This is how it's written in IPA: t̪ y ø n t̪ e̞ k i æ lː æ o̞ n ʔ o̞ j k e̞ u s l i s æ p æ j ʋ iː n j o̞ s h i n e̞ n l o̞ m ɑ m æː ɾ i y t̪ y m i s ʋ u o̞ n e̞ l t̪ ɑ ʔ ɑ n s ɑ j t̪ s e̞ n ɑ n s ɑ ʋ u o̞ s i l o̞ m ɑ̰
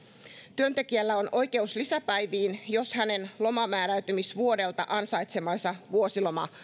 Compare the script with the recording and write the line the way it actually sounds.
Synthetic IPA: t̪ y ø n t̪ e̞ k i æ lː æ o̞ n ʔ o̞ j k e̞ u s l i s æ p æ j ʋ iː n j o̞ s h æ n e̞ n l o̞ m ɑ m æː ɾ æ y t̪ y m i s ʋ u o̞ d e̞ l t̪ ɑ ʔ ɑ n s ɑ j t̪ s e̞ m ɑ n s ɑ ʋ u o̞ s i l o̞ m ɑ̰